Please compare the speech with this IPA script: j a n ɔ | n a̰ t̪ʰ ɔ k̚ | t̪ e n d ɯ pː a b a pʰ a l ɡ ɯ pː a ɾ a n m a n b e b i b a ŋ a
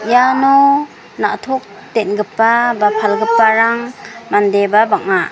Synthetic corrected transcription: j a n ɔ | n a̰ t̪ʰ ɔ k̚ | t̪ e n ɡ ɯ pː a b a pʰ a l ɡ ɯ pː a ɾ a ŋ m a n d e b a b a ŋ a